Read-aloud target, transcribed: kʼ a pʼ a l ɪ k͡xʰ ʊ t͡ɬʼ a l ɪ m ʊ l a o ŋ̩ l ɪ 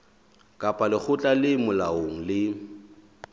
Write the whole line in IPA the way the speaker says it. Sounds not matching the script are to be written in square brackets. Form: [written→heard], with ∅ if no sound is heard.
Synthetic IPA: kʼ a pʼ a l ɪ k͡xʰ ʊ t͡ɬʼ a l ɪ m ʊ l a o ŋ̩ l ɪ

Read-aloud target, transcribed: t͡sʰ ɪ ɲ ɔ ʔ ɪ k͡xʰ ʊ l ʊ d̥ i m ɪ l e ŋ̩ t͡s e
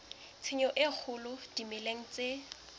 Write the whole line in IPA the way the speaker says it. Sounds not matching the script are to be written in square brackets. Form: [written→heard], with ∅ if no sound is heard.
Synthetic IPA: t͡sʰ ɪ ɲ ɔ ʔ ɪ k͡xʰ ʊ l ʊ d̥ i m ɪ l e ŋ̩ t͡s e

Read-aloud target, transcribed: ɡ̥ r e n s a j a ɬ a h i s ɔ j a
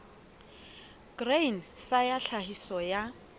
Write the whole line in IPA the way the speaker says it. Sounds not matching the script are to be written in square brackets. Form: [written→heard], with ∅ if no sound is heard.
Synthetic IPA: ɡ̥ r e n s a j a ɬ a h i s ɔ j a

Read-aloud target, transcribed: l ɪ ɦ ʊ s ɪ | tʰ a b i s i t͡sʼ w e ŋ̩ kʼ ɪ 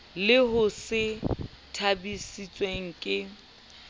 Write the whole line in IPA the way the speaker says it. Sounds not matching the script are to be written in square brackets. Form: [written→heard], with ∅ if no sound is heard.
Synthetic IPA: l ɪ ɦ ʊ s ɪ | tʰ a b i s i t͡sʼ w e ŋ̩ kʼ ɪ

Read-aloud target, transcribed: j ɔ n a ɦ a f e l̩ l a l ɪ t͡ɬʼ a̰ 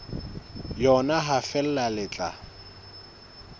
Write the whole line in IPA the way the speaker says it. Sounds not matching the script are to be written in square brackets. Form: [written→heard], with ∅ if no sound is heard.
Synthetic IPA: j ɔ n a ɦ a f [e→ɛ] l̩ l a l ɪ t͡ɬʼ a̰

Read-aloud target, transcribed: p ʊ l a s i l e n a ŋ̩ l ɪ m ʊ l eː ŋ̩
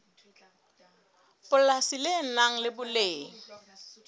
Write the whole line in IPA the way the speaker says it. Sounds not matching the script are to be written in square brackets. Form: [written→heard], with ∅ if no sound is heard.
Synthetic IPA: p ʊ l a s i l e n a ŋ̩ l ɪ [m→b] ʊ l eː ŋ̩

